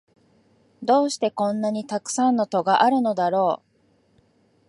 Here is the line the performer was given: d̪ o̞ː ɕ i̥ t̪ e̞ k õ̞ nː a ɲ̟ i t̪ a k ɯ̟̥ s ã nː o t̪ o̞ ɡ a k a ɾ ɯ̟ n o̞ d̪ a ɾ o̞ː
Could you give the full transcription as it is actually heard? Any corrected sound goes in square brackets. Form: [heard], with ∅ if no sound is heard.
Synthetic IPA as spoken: d̪ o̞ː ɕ i̥ t̪ e̞ k õ̞ nː a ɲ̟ i t̪ a k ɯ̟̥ s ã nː o t̪ o̞ ɡ a [ʔ] a ɾ ɯ̟ n o̞ d̪ a ɾ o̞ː